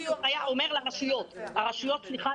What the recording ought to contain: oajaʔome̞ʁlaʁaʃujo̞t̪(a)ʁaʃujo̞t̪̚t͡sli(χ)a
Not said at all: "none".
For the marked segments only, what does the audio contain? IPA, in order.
a, χ

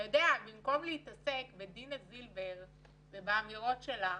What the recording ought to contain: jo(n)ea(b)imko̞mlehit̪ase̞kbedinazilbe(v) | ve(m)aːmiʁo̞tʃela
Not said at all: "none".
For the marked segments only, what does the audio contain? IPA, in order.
d, b, ʁ, b

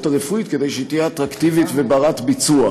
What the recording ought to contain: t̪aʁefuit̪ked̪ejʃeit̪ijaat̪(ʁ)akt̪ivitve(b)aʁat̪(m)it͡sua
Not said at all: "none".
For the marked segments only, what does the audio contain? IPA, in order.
ʁ, b, b

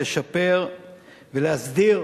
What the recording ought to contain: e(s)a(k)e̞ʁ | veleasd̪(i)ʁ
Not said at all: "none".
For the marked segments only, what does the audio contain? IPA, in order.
ʃ, p, i

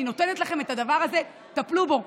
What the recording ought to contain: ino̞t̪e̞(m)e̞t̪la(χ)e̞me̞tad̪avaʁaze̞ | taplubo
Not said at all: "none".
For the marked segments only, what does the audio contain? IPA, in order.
n, χ

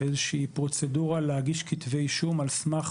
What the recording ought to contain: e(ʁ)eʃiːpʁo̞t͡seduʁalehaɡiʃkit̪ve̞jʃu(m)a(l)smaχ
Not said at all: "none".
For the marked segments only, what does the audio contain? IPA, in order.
z, m, l

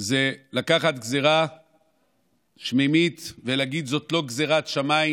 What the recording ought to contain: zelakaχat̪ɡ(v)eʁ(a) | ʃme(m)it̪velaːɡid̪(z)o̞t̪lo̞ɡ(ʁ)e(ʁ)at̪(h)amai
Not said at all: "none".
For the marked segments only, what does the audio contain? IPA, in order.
z, a, m, z, z, ʁ, ʃ

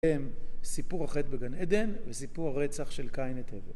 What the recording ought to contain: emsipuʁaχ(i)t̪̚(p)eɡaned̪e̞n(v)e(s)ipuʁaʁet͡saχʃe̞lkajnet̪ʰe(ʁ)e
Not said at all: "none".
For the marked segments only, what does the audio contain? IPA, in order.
e, b, v, s, v

